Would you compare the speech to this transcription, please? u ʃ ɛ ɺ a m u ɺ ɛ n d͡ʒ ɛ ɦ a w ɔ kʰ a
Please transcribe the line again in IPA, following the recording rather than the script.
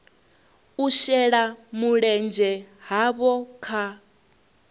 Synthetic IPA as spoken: u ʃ ɛ ɺ a m u ɺ ɛ n d͡ʒ ɛ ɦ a β ɔ kʰ a